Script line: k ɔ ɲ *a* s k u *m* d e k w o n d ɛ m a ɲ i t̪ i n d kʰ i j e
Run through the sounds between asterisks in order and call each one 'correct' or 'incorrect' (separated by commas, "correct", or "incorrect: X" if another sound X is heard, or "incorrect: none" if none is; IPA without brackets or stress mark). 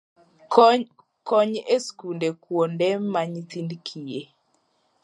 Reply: incorrect: e, incorrect: n